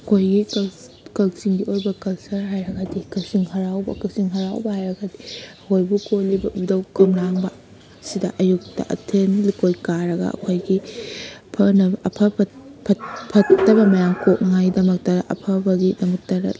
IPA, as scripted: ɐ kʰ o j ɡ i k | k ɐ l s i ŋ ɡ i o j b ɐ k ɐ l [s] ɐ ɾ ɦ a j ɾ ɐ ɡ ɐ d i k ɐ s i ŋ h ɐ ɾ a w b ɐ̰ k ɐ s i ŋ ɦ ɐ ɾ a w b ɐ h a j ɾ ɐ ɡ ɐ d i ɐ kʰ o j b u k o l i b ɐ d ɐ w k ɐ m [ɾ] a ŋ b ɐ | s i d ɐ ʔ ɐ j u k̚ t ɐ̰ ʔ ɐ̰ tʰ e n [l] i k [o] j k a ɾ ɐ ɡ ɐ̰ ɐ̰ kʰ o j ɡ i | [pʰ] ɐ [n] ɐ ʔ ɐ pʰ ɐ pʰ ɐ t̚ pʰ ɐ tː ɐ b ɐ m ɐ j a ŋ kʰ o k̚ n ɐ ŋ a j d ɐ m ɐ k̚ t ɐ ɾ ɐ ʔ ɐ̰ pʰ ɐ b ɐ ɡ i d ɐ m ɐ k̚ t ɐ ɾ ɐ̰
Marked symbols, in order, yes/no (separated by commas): yes, yes, yes, yes, yes, yes